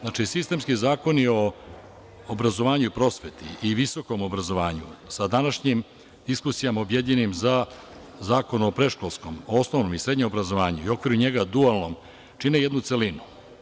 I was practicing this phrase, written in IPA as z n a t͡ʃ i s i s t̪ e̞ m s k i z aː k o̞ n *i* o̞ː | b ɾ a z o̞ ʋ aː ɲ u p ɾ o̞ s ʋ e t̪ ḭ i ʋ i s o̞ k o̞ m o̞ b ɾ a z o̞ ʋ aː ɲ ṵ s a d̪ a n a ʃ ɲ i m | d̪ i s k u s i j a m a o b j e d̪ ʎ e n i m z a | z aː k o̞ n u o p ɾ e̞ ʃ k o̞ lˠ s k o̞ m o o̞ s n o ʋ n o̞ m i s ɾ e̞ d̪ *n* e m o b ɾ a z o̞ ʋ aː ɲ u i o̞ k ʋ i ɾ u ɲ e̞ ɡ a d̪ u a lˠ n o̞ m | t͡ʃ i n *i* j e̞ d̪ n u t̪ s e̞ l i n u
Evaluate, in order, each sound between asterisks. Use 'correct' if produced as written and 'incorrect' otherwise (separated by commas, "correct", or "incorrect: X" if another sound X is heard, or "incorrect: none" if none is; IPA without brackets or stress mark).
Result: correct, incorrect: ɲ, incorrect: e